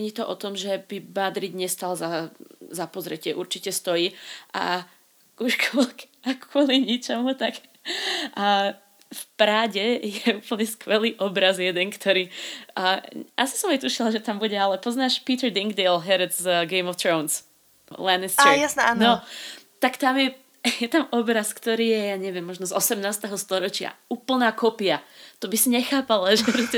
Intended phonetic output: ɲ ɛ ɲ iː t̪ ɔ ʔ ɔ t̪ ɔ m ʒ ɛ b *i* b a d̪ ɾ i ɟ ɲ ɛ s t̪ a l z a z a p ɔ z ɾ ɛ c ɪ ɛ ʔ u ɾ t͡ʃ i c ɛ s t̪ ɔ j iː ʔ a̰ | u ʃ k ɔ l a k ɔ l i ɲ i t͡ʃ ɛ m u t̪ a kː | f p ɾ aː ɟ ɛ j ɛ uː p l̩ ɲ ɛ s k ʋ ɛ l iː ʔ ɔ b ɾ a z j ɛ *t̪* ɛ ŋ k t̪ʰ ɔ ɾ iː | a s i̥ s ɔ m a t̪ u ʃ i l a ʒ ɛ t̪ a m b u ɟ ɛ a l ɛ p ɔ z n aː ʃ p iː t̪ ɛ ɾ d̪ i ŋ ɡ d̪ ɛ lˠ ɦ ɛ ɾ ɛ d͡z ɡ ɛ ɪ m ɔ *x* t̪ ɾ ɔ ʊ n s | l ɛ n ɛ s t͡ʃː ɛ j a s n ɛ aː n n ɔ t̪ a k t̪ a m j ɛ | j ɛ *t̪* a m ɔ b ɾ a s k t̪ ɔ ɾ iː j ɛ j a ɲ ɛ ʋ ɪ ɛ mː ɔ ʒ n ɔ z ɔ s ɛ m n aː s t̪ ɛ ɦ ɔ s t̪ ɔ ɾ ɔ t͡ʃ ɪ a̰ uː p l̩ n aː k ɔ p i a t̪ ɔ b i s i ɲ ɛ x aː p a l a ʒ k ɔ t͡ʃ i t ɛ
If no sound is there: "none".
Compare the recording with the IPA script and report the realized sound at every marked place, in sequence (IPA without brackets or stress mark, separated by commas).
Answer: i, d̪, f, t̪